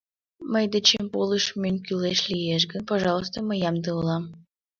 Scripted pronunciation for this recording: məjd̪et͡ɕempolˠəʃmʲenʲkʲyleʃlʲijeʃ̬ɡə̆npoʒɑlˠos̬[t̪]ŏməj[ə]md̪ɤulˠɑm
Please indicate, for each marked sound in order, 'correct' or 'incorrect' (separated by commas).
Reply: correct, incorrect